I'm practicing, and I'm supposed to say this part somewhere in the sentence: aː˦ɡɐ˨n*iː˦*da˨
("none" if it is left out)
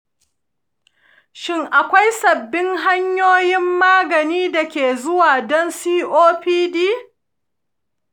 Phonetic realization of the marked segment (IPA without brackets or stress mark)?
iː˦